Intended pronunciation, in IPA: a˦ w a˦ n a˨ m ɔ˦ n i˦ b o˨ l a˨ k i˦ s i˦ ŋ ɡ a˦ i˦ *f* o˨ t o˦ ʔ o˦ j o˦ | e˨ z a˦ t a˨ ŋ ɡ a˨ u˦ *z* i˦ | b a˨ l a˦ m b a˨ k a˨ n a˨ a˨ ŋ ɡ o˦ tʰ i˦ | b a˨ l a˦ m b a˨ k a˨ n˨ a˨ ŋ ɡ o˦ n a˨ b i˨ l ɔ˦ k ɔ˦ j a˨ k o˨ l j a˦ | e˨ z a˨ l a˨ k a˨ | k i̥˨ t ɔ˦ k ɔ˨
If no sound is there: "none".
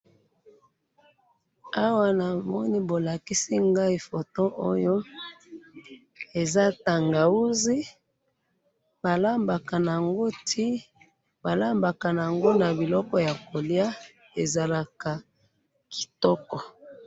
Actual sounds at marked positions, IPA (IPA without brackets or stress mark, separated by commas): f, z